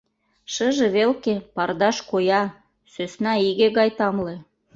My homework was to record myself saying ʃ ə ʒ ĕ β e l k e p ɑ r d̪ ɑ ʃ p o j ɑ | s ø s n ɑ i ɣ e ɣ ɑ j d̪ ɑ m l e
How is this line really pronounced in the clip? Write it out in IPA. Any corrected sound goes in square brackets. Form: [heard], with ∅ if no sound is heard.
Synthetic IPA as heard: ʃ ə ʒ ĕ β e l k e p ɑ r d̪ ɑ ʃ [k] o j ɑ | s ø s n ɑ i ɣ e ɣ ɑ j [t̪] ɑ m l e